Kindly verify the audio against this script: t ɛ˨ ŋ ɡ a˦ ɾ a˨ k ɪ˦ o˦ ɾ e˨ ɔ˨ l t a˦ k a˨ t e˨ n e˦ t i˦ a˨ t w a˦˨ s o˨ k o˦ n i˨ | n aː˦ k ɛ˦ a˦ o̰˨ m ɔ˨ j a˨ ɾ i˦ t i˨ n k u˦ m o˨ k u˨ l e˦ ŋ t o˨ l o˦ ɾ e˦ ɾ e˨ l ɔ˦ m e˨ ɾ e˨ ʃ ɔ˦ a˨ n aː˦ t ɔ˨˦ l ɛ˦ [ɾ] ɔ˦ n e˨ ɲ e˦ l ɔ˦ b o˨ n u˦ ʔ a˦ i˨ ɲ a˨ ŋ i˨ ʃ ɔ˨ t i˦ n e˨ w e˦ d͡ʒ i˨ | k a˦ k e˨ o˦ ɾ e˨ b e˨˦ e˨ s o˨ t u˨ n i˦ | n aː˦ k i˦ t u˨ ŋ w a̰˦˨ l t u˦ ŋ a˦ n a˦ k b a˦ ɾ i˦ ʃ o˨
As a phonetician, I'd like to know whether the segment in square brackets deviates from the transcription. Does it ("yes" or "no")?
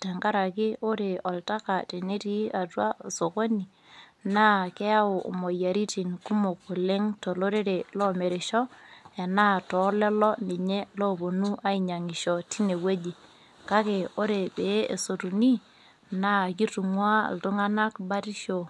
yes